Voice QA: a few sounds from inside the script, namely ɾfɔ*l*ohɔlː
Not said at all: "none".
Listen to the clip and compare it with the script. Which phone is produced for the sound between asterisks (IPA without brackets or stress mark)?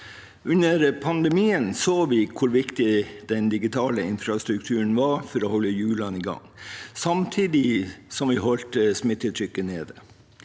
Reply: ɾ